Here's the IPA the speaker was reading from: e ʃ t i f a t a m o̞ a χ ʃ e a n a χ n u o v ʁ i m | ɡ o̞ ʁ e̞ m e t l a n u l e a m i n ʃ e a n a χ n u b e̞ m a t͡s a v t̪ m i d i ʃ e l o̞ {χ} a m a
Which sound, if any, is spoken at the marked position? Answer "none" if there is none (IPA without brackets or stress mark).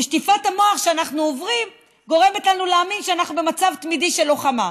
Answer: χ